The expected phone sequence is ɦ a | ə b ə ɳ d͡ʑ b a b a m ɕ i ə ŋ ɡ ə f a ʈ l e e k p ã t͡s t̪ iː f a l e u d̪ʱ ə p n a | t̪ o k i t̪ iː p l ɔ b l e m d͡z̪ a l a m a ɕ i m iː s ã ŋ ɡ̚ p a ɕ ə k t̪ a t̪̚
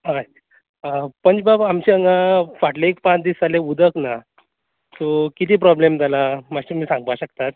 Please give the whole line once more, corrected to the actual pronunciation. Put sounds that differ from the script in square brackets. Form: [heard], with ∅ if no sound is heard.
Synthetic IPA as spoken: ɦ a | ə [p] ə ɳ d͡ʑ b a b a m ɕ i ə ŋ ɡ [a] f a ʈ l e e k p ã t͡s [d̪] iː [s] a l e u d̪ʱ ə [k] n a | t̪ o k i t̪ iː p [ɾ] ɔ b l e m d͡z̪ a l a m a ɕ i m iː s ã ŋ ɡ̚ p a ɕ ə k t̪ a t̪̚